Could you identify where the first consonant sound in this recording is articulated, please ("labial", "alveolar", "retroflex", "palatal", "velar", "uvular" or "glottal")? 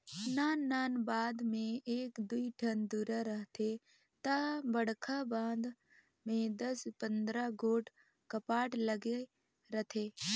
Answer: alveolar